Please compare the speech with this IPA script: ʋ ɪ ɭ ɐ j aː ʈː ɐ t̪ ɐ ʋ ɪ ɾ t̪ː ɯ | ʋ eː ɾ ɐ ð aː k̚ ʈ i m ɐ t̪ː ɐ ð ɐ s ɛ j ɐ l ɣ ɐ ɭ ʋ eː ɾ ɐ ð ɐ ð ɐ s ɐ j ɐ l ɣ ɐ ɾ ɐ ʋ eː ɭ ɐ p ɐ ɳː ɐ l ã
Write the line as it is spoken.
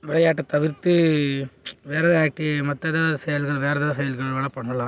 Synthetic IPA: ʋ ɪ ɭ ɐ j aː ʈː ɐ t̪ ɐ ʋ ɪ ɾ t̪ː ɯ | ʋ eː ɾ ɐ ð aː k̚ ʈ i m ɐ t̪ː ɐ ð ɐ s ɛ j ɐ l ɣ ɐ ɭ ʋ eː ɾ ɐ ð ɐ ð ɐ s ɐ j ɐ l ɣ ɐ ɭ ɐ ʋ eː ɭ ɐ p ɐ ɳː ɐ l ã